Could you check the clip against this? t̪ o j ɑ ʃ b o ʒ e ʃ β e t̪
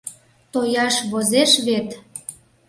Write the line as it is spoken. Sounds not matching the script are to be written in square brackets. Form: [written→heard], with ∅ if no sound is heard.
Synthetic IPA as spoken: t̪ o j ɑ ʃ [b→β] o [ʒ→z] e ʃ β e t̪